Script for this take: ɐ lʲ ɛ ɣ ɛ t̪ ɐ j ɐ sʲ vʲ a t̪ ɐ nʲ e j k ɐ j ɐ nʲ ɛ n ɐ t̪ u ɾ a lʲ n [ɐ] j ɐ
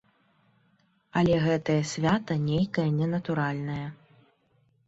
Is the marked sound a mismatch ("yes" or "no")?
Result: no